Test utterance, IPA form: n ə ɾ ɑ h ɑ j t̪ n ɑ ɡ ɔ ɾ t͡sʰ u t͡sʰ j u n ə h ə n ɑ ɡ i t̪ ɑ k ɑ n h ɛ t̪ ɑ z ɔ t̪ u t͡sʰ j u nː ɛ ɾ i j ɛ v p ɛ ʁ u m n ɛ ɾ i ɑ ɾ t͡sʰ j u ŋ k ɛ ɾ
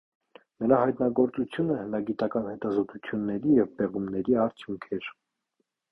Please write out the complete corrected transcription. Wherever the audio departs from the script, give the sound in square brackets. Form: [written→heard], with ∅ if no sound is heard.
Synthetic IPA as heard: n ə ɾ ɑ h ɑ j t̪ n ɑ ɡ ɔ ɾ [t͡sʰ→t͡s] u t͡sʰ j u n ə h ə n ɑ ɡ i t̪ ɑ k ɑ n h ɛ t̪ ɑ z ɔ t̪ u t͡sʰ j u nː ɛ ɾ i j ɛ v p ɛ ʁ u m n ɛ ɾ i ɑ ɾ t͡sʰ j u ŋ [k→kʰ] ɛ ɾ